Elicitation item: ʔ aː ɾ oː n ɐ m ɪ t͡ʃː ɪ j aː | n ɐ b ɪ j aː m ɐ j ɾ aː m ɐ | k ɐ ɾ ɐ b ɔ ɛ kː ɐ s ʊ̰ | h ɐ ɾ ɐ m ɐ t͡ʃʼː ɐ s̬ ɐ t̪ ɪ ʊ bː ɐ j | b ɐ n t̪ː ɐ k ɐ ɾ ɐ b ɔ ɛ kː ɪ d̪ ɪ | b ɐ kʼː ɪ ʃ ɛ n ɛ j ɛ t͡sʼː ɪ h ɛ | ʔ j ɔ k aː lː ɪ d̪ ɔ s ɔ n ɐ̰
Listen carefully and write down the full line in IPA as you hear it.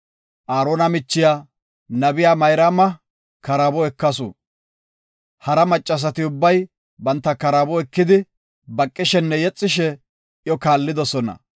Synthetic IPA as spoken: ʔ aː ɾ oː n ɐ m ɪ t͡ʃː ɪ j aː | n ɐ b ɪ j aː m ɐ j ɾ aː m ɐ | k ɐ ɾ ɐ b ɔ ɛ kː ɐ s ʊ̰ | h ɐ ɾ ɐ m ɐ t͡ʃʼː ɐ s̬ ɐ t̪ ɪ ʊ bː ɐ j | b ɐ n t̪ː ɐ k ɐ ɾ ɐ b ɔ ɛ kː ɪ d̪ ɪ | b ɐ kʼː ɪ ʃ ɛ nː ɛ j ɛ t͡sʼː ɪ ʃ ɛ | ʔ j ɔ k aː lː ɪ d̪ ɔ s ɔ n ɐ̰